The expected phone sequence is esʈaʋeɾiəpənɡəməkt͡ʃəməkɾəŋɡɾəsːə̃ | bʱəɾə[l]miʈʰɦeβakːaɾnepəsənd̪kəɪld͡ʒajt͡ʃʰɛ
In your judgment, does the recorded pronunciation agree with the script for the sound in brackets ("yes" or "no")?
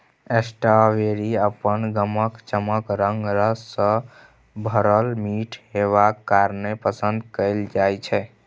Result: yes